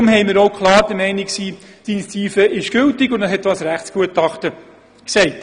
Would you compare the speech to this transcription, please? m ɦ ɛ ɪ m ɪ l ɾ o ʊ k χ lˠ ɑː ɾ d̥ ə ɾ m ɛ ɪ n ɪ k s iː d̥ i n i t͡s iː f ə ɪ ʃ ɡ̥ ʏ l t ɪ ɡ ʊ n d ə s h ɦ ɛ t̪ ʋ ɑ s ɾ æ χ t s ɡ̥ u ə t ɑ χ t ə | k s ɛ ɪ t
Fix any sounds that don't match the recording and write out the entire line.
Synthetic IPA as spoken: m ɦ ɛ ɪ m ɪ ɾ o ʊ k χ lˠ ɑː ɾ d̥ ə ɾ m ɛ ɪ n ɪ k s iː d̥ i n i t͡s iː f ə ɪ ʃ ɡ̥ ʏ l t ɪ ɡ ʊ n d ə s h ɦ ɛ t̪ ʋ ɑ s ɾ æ χ t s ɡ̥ u ə t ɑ χ t ə | k s ɛ ɪ t